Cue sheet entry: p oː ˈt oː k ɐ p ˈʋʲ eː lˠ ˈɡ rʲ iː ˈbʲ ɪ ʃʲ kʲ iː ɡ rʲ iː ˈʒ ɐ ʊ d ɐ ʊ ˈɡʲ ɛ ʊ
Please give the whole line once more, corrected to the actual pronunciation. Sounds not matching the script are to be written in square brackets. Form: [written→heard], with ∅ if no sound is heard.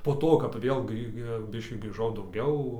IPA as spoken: p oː ˈt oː k ɐ p ˈʋʲ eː lˠ ˈɡ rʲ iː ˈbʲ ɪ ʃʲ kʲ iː ɡ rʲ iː ˈʒ ɐ ʊ d ɐ ʊ ˈɡʲ ɛ ʊ

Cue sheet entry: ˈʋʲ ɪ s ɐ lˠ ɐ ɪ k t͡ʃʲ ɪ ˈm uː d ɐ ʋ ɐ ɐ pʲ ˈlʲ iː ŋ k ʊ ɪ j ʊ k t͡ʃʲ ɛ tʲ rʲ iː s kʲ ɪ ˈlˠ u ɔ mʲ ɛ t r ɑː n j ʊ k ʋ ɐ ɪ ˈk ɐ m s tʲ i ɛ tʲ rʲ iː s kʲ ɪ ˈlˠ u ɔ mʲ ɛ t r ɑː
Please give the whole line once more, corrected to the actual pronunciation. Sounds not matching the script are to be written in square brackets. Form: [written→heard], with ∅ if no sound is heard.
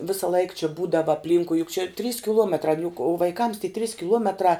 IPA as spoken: ˈʋʲ ɪ s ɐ lˠ ɐ ɪ k t͡ʃʲ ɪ [ˈm→ˈb] uː d ɐ ʋ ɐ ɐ pʲ ˈlʲ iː ŋ k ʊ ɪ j ʊ k t͡ʃʲ ɛ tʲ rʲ iː s kʲ ɪ ˈlˠ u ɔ mʲ ɛ t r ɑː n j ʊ k ʋ ɐ ɪ ˈk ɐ m s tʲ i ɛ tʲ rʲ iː s kʲ ɪ ˈlˠ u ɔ mʲ ɛ t r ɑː

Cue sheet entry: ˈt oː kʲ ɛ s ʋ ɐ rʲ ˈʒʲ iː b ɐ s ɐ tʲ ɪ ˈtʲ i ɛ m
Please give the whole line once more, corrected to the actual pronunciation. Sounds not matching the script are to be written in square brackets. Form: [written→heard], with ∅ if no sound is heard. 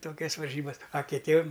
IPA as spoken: ˈt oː kʲ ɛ s ʋ ɐ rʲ ˈʒʲ iː b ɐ s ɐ [tʲ→kʲ] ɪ ˈtʲ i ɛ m

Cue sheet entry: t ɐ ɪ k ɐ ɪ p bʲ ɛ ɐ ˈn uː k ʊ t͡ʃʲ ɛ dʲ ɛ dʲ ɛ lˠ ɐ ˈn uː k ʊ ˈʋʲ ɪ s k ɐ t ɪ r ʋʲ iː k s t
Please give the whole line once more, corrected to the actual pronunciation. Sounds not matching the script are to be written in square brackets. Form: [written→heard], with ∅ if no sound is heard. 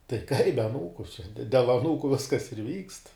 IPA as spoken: t ɐ ɪ k ɐ ɪ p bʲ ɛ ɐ ˈn uː k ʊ t͡ʃʲ ɛ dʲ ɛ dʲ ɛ lˠ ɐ ˈn uː k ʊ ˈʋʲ ɪ s k ɐ [t→s] ɪ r ʋʲ iː k s t

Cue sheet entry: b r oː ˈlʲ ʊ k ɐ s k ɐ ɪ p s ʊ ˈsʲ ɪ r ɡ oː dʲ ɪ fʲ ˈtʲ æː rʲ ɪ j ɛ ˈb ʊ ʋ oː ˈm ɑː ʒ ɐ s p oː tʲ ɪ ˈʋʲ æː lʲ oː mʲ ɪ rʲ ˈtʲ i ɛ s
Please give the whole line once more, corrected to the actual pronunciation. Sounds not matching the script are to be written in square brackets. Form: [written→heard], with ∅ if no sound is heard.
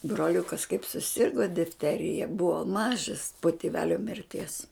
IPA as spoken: b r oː ˈlʲ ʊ k ɐ s k ɐ ɪ p s ʊ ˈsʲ ɪ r ɡ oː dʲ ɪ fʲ ˈtʲ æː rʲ ɪ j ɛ ˈb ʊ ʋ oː ˈm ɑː ʒ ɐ s p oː tʲ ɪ ˈʋʲ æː lʲ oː mʲ ɪ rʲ ˈtʲ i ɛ s

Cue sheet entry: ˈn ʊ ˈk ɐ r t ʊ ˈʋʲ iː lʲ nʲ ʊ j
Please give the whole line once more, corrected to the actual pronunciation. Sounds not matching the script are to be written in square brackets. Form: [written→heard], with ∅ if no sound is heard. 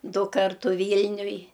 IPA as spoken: [ˈn→ˈd] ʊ ˈk ɐ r t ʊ ˈʋʲ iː lʲ nʲ ʊ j

